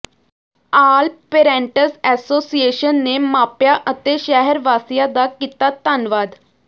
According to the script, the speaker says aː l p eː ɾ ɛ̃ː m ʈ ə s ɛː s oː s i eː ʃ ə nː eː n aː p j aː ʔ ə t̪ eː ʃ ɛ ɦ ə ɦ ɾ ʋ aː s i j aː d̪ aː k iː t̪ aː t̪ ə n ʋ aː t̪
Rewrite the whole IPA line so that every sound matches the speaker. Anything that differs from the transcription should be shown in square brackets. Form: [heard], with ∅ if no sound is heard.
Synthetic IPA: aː l p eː ɾ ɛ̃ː [ɳ] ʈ ə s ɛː s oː s i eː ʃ ə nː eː [m] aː p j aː ʔ ə t̪ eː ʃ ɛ ɦ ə [∅] ɾ ʋ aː s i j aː d̪ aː k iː t̪ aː t̪ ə n ʋ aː [d̪]